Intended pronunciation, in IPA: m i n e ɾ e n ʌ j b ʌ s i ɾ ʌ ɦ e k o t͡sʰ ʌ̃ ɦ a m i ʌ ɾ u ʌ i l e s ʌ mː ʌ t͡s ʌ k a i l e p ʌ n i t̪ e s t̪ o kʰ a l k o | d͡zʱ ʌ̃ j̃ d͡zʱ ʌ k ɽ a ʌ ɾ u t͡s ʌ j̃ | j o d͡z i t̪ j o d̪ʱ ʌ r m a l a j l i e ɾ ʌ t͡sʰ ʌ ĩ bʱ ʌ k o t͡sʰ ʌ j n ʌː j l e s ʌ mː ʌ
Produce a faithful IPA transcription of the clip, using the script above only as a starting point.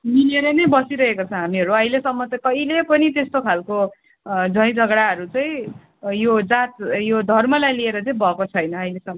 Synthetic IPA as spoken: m i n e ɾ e n ʌ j b ʌ s i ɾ ʌ ɦ e k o t͡sʰ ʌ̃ ɦ a m i ʌ ɾ u ʌ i l e s ʌ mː ʌ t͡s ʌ k ʌ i l e p ʌ n i t̪ e s t̪ o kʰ a l k o | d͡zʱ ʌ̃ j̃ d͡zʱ ʌ ɡ ɽ a ʌ ɾ u t͡s ʌ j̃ | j o d͡z a t̪ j o d̪ʱ ʌ r m ʌ l a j l i e ɾ ʌ t͡s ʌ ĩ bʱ ʌ k o t͡sʰ ʌ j n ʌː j l e s ʌ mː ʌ